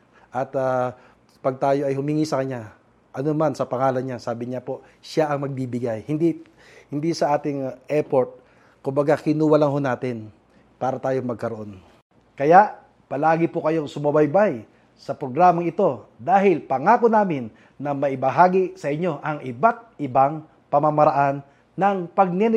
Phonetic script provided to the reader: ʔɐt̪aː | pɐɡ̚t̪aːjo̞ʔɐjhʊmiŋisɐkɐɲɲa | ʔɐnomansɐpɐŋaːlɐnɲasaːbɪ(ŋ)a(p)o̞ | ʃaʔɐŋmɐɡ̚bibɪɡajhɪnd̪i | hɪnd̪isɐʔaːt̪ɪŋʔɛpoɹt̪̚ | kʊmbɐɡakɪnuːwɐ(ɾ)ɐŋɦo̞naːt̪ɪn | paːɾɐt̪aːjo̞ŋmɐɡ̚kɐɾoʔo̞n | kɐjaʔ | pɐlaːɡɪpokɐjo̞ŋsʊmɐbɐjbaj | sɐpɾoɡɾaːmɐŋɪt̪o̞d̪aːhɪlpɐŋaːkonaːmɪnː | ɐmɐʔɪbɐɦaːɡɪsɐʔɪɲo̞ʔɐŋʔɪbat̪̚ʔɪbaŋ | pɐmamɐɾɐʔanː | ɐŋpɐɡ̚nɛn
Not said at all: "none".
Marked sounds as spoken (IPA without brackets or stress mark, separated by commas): ɲ, p, l